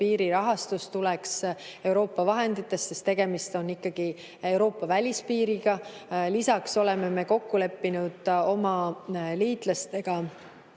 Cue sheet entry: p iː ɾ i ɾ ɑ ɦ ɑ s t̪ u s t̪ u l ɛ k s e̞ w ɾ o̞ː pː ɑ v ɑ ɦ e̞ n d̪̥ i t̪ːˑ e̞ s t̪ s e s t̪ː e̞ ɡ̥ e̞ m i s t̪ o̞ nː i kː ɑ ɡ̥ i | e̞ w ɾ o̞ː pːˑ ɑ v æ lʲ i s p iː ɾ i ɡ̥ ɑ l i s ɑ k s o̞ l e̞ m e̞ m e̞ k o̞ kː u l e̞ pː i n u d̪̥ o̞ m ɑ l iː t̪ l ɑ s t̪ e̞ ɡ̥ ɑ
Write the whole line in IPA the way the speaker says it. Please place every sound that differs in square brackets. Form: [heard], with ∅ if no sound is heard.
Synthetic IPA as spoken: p iː ɾ i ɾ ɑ ɦ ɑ s t̪ u s t̪ u l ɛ k s e̞ w ɾ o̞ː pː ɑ v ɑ ɦ e̞ n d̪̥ i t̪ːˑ e̞ s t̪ s e s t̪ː e̞ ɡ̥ e̞ m i s t̪ o̞ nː i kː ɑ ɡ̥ i | e̞ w ɾ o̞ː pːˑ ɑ v æ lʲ i s p iː ɾ i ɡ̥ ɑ l i s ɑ k s o̞ l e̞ m e̞ m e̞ k o̞ kː u l e̞ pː i n u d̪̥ o̞ m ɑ l iː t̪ l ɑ s t̪ e̞ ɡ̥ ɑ